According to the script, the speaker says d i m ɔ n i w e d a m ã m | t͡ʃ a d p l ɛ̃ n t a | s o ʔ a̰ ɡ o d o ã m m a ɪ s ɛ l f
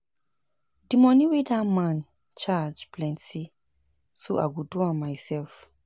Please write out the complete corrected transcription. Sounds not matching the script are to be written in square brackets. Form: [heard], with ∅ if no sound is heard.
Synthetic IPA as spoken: d i m ɔ n i w e d a m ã [n] | t͡ʃ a [d͡ʒ] p l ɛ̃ n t [i] | s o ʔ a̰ ɡ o d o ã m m a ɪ s ɛ l f